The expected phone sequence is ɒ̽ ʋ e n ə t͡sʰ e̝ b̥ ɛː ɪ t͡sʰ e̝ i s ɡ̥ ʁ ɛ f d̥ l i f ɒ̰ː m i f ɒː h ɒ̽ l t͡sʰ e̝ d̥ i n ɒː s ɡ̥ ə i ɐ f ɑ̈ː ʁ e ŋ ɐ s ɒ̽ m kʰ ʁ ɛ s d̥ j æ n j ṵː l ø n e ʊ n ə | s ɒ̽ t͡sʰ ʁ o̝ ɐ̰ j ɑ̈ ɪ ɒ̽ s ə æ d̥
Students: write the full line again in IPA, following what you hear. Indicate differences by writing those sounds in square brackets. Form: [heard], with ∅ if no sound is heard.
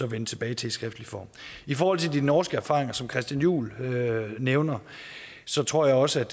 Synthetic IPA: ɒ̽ ʋ e n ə t͡sʰ e̝ b̥ ɛː ɪ t͡sʰ e̝ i s ɡ̥ ʁ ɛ f d̥ l i f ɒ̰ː m i f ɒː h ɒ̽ l t͡sʰ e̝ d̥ i n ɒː s ɡ̥ ə [æ] ɐ f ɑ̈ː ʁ e ŋ ɐ s ɒ̽ m kʰ ʁ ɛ s d̥ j æ n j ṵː l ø n e ʊ n [ɐ] | s ɒ̽ t͡sʰ ʁ o̝ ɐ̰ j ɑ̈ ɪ ɒ̽ s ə æ d̥